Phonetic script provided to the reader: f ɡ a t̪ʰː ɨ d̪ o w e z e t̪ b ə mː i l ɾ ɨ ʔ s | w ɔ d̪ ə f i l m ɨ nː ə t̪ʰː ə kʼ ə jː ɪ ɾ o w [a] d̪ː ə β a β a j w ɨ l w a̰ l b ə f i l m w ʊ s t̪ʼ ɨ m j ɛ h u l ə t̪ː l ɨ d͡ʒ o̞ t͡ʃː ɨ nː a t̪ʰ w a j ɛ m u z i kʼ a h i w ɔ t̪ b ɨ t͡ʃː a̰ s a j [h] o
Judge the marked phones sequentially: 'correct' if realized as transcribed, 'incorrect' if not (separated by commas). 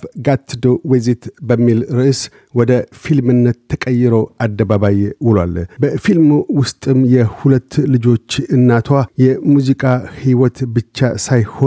correct, correct